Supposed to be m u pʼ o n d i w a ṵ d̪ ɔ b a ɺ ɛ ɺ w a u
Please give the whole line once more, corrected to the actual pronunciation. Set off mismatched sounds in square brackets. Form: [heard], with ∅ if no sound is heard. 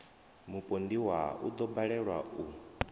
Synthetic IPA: m u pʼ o n d i w a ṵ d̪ ɔ b a ɺ ɛ ɺ w a u